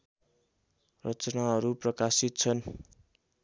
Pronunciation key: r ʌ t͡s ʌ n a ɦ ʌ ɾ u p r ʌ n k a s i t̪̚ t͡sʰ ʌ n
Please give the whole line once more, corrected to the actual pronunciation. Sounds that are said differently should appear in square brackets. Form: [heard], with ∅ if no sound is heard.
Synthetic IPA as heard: r ʌ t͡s ʌ n a ɦ ʌ ɾ u p r ʌ [∅] k a s i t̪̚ t͡sʰ ʌ n